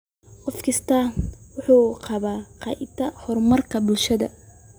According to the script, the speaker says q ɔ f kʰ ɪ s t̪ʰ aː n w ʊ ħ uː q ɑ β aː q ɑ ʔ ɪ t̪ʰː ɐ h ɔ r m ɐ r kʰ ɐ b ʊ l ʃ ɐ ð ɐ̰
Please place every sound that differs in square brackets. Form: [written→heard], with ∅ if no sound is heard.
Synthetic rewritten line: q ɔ f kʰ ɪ s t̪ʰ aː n w ʊ ħ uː q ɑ β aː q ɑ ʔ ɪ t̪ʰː ɐ h ɔ r m ɐ r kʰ ɐ b ʊ l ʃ ɐ ð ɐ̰